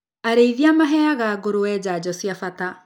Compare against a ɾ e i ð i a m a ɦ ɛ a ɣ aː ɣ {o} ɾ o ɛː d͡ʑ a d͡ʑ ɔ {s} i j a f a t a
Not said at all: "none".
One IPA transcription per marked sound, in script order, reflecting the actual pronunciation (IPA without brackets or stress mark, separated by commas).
o, s